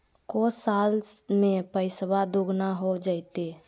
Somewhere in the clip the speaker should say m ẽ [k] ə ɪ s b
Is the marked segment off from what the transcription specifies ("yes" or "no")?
yes